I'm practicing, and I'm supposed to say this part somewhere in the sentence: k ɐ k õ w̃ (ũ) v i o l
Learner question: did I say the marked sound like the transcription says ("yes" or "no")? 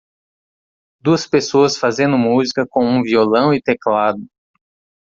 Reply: yes